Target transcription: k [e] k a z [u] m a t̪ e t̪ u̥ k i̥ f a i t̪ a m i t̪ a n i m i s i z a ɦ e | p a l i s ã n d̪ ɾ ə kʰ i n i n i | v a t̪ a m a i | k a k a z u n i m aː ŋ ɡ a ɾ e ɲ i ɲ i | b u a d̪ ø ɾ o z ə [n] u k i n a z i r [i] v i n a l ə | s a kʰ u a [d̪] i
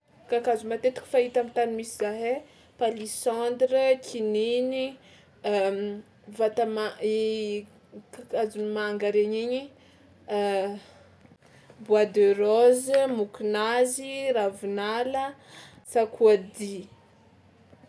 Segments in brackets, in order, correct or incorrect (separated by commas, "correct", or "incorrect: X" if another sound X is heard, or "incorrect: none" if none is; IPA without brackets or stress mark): incorrect: a, correct, incorrect: m, incorrect: a, correct